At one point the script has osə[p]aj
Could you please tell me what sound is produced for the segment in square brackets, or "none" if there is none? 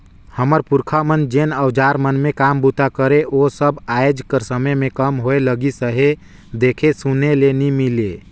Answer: b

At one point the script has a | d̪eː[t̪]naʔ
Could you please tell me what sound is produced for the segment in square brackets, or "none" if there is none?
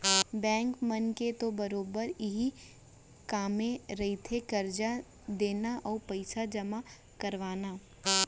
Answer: none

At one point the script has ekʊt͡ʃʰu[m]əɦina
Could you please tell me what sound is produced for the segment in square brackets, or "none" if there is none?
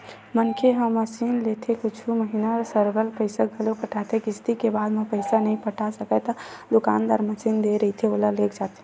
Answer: m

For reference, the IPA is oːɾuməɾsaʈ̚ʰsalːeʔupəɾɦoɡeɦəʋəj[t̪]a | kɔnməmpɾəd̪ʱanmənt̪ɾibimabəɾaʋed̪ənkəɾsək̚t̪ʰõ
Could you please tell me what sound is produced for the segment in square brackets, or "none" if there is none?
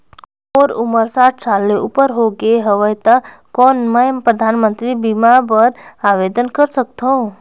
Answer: t̪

